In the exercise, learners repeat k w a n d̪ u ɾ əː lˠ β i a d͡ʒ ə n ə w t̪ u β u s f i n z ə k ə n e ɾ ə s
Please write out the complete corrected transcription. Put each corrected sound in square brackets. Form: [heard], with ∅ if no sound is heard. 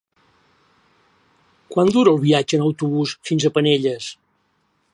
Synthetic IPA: k w a n d̪ u ɾ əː lˠ β i a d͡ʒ ə n ə w t̪ u β u s f i n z ə [p] ə n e [ʎ] ə s

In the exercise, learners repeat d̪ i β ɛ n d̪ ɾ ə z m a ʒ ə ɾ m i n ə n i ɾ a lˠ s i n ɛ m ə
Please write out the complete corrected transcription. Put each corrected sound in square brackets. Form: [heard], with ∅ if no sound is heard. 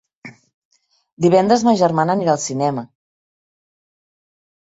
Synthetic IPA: d̪ i β ɛ n d̪ ɾ ə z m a ʒ ə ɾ m [a] n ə n i ɾ a lˠ s i n ɛ m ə

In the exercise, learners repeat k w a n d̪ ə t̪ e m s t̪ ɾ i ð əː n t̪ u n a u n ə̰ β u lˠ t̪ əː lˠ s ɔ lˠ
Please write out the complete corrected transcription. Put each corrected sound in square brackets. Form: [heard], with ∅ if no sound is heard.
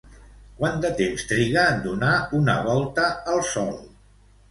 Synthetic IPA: k w a n d̪ ə t̪ e m s t̪ ɾ i [ɣ] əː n [d̪] u n a u n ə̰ β [ɔ] lˠ t̪ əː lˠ s ɔ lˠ

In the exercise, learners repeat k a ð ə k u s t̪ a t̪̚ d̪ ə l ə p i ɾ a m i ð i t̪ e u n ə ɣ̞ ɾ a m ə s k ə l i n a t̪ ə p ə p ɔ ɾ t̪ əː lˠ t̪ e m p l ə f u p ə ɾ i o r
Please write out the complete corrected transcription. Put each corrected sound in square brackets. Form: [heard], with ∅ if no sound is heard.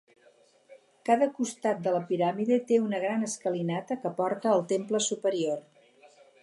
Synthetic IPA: k a ð ə k u s t̪ a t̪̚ d̪ ə l ə p i ɾ a m i ð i t̪ e u n ə ɣ̞ ɾ a [n] ə s k ə l i n a t̪ ə [k] ə p ɔ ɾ t̪ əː lˠ t̪ e m p l ə [s] u p ə ɾ i o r

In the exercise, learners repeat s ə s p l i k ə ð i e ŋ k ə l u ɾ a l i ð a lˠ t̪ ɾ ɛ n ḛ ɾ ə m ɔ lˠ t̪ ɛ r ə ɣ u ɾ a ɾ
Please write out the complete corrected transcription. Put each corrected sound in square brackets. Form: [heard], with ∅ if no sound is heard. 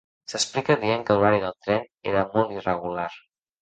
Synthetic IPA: s ə s p l i k ə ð i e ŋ k ə l u ɾ a [ɾ] i ð [ə] lˠ t̪ ɾ ɛ n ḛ ɾ ə m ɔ lˠ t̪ [i] r ə ɣ u [l] a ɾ

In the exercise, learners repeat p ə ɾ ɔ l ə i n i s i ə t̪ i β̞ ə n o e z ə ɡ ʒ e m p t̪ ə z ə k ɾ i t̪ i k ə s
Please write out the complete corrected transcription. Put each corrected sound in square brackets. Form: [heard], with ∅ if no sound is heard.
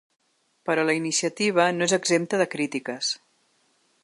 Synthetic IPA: p ə ɾ ɔ l ə i n i s i ə t̪ i β̞ ə n o e z ə ɡ [z] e m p t̪ ə [ð] ə k ɾ i t̪ i k ə s

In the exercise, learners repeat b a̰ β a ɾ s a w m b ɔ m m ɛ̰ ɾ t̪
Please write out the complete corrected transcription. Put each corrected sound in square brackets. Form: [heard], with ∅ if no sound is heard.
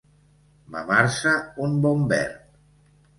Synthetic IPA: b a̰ β a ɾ s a [u] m b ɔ m [b] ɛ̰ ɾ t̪

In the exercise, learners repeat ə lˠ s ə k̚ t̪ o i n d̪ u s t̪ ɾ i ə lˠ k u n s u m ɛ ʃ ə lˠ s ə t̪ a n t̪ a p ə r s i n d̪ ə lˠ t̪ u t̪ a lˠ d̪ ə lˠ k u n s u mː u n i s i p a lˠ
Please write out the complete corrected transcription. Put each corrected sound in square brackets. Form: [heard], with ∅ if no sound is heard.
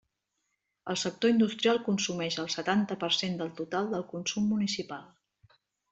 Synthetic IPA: ə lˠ s ə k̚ t̪ o i n d̪ u s t̪ ɾ i [a] lˠ k u n s u m ɛ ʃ ə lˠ s ə t̪ a n t̪ [ə] p ə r s [e] n d̪ ə lˠ t̪ u t̪ a lˠ d̪ ə lˠ k u n s u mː u n i s i p a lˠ

